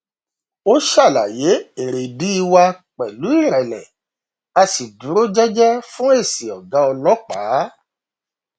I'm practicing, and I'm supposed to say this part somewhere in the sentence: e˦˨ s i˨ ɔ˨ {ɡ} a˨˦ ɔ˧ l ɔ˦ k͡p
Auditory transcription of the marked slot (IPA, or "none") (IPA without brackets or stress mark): ɡ